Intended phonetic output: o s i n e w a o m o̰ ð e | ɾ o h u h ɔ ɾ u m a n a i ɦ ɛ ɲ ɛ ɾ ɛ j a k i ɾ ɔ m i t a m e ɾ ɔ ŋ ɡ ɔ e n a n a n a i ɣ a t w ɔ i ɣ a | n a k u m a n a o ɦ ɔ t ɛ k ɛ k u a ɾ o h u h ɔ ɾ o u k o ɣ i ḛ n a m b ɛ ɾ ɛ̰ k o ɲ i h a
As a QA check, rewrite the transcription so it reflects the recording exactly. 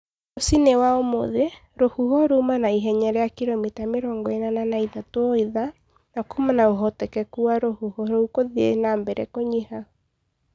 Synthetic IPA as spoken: o s i n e w a o m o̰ ð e | ɾ o h u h ɔ ɾ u m a n a i ɦ ɛ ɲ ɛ ɾ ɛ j a k i ɾ ɔ m i t a m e ɾ ɔ ŋ ɡ ɔ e n a n a n a i ð a t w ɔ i ð a | n a k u m a n a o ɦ ɔ t ɛ k ɛ k u a ɾ o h u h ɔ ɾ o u k o ð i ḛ n a m b ɛ ɾ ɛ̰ k o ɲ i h a